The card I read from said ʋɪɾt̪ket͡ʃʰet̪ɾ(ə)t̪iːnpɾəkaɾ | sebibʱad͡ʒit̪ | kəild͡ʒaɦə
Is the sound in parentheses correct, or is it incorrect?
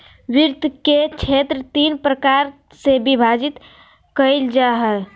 correct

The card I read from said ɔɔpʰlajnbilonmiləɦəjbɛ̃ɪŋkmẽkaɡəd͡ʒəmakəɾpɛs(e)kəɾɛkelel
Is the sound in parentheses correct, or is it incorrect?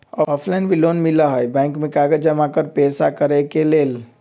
incorrect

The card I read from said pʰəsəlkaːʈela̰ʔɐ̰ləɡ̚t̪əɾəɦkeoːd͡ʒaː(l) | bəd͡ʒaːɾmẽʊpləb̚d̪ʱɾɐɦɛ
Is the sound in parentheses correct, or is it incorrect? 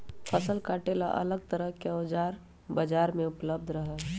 incorrect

